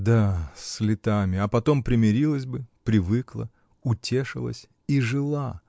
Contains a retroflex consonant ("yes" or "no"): yes